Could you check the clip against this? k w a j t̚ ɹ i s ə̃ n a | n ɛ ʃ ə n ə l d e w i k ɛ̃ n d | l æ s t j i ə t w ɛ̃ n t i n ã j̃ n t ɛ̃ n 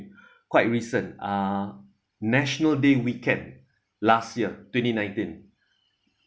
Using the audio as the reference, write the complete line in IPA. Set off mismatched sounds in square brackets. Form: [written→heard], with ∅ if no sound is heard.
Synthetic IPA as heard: k w a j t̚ ɹ i s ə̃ n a | n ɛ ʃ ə n ə l d e w i k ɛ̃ n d | l [æ→a] s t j i ə t w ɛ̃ n t i n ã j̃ n t [ɛ̃→ĩ] n